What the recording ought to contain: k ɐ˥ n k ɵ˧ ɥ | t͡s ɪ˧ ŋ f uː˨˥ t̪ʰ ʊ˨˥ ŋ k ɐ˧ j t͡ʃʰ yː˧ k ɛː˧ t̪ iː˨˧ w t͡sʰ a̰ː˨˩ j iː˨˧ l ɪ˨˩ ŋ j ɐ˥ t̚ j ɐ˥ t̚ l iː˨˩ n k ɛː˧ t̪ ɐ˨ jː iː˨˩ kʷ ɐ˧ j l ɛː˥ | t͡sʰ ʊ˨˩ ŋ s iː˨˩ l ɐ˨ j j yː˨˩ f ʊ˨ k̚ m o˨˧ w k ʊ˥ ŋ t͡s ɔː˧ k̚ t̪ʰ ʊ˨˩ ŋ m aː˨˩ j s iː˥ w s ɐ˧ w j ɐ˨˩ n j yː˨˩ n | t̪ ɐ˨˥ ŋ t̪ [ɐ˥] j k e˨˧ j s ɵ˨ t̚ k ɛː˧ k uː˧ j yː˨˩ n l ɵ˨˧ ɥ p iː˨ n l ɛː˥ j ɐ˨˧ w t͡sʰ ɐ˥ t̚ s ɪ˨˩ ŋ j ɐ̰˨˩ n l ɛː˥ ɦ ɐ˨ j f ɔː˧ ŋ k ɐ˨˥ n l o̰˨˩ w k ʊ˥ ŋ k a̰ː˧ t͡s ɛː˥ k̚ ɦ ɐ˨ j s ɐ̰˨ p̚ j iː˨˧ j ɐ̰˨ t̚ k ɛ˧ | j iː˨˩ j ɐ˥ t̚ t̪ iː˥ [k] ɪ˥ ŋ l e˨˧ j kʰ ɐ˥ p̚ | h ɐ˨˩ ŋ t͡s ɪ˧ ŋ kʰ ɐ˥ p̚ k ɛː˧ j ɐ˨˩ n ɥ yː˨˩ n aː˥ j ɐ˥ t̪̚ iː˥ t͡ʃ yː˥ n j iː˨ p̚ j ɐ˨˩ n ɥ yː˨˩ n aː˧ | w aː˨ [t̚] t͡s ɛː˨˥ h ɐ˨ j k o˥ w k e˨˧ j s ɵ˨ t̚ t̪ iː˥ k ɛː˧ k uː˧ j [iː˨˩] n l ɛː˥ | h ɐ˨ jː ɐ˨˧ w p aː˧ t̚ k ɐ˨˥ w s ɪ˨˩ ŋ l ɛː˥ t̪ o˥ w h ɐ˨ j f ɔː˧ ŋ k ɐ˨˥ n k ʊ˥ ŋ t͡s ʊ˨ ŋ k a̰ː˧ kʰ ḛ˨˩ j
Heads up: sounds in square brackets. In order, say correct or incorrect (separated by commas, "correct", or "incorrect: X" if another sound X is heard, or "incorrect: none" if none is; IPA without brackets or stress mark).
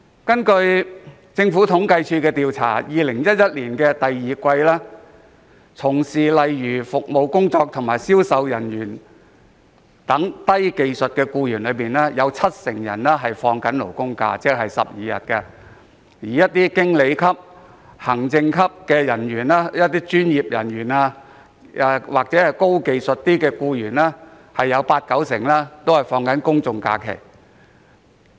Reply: correct, correct, incorrect: k̚, incorrect: yː˨˩